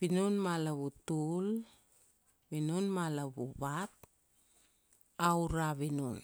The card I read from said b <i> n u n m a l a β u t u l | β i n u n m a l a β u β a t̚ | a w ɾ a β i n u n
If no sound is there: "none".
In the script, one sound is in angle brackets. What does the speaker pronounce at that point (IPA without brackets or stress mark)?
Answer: i